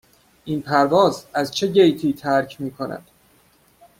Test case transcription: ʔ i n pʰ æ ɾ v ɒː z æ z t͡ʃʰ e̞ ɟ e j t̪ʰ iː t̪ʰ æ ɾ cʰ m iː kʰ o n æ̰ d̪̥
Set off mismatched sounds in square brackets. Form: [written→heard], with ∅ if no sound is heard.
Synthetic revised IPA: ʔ i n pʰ æ ɾ v ɒː z æ z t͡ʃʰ e̞ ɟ e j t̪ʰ iː t̪ʰ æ ɾ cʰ m iː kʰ o n æ̰ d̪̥